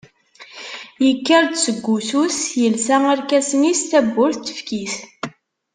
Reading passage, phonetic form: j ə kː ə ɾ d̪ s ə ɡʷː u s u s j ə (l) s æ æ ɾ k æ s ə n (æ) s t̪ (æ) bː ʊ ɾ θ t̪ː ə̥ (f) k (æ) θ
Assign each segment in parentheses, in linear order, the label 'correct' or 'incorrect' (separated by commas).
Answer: correct, incorrect, correct, correct, incorrect